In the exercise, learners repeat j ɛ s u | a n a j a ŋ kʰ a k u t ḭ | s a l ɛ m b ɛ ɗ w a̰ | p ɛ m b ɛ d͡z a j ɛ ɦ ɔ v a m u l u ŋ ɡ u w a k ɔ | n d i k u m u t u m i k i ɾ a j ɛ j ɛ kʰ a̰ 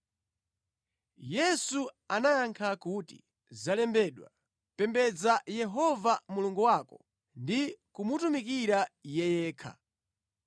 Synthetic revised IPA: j ɛ s u | a n a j a ŋ kʰ a k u t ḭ | z a l ɛ m b ɛ ɗ w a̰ | p ɛ m b ɛ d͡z a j ɛ ɦ ɔ v a m u l u ŋ ɡ u w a k ɔ | n d i k u m u t u m i k i ɾ a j ɛ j ɛː kʰ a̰